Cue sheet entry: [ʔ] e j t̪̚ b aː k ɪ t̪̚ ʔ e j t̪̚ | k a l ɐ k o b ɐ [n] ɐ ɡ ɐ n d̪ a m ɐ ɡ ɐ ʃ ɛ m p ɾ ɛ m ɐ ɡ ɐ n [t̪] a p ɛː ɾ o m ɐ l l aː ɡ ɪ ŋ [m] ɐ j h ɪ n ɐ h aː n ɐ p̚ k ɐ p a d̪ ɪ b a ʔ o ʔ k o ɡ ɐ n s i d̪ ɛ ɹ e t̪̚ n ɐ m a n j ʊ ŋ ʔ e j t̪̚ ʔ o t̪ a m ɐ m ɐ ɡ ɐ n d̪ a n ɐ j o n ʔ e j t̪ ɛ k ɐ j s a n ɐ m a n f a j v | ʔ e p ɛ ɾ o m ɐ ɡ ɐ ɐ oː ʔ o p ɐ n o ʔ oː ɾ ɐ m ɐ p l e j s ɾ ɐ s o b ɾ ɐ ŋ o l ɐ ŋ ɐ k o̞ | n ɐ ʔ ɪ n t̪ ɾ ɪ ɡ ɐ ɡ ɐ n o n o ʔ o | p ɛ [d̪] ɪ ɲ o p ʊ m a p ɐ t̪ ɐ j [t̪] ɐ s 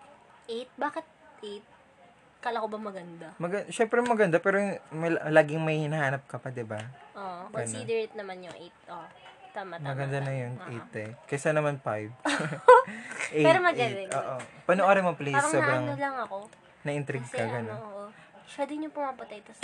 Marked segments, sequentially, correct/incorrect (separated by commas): correct, incorrect, incorrect, correct, correct, correct